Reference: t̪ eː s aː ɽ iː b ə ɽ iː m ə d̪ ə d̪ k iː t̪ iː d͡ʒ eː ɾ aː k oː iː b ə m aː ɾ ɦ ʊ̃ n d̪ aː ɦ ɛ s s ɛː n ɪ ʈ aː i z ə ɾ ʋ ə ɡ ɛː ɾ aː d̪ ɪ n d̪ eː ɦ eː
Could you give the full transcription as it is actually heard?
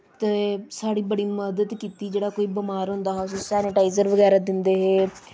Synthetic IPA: t̪ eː s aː ɽ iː b ə ɽ iː m ə d̪ ə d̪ k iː t̪ iː d͡ʒ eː ɽ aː k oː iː b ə m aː ɾ ɦ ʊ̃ n d̪ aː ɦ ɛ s s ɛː n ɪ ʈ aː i z ə ɾ ʋ ə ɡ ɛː ɾ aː d̪ ɪ n d̪ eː ɦ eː